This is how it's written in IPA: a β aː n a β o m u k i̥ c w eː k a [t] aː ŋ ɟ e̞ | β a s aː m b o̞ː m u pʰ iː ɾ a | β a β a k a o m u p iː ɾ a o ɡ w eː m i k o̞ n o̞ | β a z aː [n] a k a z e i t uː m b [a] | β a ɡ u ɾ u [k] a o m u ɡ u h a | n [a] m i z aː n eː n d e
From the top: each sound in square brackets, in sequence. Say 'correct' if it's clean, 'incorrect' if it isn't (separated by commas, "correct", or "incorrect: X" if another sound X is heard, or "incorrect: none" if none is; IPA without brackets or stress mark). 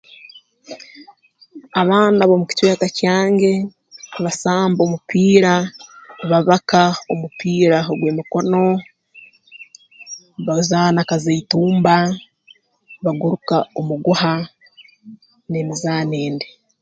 incorrect: c, correct, correct, correct, incorrect: e